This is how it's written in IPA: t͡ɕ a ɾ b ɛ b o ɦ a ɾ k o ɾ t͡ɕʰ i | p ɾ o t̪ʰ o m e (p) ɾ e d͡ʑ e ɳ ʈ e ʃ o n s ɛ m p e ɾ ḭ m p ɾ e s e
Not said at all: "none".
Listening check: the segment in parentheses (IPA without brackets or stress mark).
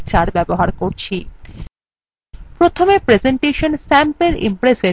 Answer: p